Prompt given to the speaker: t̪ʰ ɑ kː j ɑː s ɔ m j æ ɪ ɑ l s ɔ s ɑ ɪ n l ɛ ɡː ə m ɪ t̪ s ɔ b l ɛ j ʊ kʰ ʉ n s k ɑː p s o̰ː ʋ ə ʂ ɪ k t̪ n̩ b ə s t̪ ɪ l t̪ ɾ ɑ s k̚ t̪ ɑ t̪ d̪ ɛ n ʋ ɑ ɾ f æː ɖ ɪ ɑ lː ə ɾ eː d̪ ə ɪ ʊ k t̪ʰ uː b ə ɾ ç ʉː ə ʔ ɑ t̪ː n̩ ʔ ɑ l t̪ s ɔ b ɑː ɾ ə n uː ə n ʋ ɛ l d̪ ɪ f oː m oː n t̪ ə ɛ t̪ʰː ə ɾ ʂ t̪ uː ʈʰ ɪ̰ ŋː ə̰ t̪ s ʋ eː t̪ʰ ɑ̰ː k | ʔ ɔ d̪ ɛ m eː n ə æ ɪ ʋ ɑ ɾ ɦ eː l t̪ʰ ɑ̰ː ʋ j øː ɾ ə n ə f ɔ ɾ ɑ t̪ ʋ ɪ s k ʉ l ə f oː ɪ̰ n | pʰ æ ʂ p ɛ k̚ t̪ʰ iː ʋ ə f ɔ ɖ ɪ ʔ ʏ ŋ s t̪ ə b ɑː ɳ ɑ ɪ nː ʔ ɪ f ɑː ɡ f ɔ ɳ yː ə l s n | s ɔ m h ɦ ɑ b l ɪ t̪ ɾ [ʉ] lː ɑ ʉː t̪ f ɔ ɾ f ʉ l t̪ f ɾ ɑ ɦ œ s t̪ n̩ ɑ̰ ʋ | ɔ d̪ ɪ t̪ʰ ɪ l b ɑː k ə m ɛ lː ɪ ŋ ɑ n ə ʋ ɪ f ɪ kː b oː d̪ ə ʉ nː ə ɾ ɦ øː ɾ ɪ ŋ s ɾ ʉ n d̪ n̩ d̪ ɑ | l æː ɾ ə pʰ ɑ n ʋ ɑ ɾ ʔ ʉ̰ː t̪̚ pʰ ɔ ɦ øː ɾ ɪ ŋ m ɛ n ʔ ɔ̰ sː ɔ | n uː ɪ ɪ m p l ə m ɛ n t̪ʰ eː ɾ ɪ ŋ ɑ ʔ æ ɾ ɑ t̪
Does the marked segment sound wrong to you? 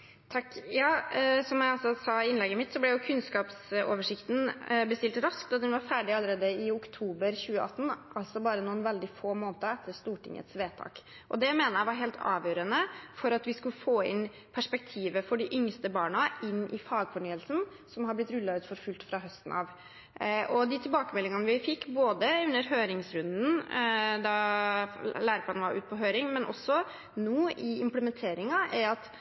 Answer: no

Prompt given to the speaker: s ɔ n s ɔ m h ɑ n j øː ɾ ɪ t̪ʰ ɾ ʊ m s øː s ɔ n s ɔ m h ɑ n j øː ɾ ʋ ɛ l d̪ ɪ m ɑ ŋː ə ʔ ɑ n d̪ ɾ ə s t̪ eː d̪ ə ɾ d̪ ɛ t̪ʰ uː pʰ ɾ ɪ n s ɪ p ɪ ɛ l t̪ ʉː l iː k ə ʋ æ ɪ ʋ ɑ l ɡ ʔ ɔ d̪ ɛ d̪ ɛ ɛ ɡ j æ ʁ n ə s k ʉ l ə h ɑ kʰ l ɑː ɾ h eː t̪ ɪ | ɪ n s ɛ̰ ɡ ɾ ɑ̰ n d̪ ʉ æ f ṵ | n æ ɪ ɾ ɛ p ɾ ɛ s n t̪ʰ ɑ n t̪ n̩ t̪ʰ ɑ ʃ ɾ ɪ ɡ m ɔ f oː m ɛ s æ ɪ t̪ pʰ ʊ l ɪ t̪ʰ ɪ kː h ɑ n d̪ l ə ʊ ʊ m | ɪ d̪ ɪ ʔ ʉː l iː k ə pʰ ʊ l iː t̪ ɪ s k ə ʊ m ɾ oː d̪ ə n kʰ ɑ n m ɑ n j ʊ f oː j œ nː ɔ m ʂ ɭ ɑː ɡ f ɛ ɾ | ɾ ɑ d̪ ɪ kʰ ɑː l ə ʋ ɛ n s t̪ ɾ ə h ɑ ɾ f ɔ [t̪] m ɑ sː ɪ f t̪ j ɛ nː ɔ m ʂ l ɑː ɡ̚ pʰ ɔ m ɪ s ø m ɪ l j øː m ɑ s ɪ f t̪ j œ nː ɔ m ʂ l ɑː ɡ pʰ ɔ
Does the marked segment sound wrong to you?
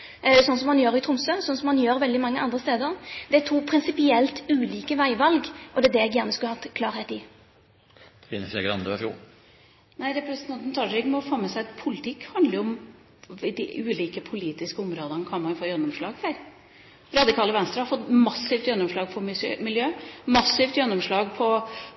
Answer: no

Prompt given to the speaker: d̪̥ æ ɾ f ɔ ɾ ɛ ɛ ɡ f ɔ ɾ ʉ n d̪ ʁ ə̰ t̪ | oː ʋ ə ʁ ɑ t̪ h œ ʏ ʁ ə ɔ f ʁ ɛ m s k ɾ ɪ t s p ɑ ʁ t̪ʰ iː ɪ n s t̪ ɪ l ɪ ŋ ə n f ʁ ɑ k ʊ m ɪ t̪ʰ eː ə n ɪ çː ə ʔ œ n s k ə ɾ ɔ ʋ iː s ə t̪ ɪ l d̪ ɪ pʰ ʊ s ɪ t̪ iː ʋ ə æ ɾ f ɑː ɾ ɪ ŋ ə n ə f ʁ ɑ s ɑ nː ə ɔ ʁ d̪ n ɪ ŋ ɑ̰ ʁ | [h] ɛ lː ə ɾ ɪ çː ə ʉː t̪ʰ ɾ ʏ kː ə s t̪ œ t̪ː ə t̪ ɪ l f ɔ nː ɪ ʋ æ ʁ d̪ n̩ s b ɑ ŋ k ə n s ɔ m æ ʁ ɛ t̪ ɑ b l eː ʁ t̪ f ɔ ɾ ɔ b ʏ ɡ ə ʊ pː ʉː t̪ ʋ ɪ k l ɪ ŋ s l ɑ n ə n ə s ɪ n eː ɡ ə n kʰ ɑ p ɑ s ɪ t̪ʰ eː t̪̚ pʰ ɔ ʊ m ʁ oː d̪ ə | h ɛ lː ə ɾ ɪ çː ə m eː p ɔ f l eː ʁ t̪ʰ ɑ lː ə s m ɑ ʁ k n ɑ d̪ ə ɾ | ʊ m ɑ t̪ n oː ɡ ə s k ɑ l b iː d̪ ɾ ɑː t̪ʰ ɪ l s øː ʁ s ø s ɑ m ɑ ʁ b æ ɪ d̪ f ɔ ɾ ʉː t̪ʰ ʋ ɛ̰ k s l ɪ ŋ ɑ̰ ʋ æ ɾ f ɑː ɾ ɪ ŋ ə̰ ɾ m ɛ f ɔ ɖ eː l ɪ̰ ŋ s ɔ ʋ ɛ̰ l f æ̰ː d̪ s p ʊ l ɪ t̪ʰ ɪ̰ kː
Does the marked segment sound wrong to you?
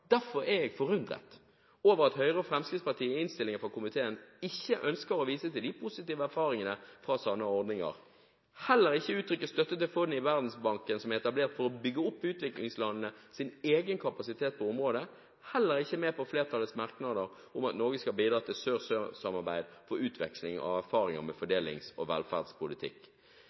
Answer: no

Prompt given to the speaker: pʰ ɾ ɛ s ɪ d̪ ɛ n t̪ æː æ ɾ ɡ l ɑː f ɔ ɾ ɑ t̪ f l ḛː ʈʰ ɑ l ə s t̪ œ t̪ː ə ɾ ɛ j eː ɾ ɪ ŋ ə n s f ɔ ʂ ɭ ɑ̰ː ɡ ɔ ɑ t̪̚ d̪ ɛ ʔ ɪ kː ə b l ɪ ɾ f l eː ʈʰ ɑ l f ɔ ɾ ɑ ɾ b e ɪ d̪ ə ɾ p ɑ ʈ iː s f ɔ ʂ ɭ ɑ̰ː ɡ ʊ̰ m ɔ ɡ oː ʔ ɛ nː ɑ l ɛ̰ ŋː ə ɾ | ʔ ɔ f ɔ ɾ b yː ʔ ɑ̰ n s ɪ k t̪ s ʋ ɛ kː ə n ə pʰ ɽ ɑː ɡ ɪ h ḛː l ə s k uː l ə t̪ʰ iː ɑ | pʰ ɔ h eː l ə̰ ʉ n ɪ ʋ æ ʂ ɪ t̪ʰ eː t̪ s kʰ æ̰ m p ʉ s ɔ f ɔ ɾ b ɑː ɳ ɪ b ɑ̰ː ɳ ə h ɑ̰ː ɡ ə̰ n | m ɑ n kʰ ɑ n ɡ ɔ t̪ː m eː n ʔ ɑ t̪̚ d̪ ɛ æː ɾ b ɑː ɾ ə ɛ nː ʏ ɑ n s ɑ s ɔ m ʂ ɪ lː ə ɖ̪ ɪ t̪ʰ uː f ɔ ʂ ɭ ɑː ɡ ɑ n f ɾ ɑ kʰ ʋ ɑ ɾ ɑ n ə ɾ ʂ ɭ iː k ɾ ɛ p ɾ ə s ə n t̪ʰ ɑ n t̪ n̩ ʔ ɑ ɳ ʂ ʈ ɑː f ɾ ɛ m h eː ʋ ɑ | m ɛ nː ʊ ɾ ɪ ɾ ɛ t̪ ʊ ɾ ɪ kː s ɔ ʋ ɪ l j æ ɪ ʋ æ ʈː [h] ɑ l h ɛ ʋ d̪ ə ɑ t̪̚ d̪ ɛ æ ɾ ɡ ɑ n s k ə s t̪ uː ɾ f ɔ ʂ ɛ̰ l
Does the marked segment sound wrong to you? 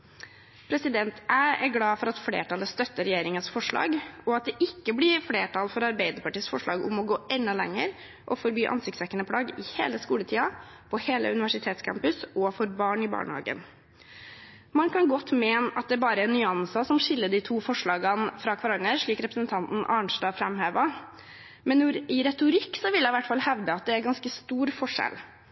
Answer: yes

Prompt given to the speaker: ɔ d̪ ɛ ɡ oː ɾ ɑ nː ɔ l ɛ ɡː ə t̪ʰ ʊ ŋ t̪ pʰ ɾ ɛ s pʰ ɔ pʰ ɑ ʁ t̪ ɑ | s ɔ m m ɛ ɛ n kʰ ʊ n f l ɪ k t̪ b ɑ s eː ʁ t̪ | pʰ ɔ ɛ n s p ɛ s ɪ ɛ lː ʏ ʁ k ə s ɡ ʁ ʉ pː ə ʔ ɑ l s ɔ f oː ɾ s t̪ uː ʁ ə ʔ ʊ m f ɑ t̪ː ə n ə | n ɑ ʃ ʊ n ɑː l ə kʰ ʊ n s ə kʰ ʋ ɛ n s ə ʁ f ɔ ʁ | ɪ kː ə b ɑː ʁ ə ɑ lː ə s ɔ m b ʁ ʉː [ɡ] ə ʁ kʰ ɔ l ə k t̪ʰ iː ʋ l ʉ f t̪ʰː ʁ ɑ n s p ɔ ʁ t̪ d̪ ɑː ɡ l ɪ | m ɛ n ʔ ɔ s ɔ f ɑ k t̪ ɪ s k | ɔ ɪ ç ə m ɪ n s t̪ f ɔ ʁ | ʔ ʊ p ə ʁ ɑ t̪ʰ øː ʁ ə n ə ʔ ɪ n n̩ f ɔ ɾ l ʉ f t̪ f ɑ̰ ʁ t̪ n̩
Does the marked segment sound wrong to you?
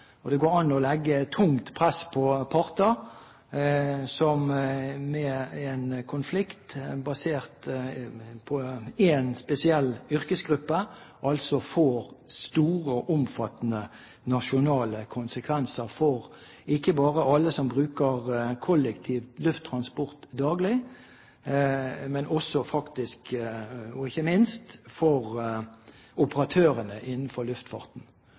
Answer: yes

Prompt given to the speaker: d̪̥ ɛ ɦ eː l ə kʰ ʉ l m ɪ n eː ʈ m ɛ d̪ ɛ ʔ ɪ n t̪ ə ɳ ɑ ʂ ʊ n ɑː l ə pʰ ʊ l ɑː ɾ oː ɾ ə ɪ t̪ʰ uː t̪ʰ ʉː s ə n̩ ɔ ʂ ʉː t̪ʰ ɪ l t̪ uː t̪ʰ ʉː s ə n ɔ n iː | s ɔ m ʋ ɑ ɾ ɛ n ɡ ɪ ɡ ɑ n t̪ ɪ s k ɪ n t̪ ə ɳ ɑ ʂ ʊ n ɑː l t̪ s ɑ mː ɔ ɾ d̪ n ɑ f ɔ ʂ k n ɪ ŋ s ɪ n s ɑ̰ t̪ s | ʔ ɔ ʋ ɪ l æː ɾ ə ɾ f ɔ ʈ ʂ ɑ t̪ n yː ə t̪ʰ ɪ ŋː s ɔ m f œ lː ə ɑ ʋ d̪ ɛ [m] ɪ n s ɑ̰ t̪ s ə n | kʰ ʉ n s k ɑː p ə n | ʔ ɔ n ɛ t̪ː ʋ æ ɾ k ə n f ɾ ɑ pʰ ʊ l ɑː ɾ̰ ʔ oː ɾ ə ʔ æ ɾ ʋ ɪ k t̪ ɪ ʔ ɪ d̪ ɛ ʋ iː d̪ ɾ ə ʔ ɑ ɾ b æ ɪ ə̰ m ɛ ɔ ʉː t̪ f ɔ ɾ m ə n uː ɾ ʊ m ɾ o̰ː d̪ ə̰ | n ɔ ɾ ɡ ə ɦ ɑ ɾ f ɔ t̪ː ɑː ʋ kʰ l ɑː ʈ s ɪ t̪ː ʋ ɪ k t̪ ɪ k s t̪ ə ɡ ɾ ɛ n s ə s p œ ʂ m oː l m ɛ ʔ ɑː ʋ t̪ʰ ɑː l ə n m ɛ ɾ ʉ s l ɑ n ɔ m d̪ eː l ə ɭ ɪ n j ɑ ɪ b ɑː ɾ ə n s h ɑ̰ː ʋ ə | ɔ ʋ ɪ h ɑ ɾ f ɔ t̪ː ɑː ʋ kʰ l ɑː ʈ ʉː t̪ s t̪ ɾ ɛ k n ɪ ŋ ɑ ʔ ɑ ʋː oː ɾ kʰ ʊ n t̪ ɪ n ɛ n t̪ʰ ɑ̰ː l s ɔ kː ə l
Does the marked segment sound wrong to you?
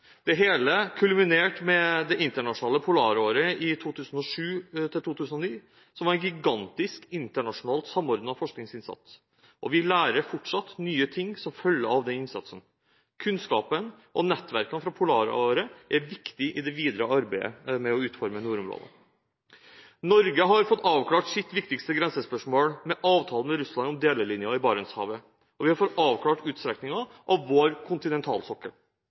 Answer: yes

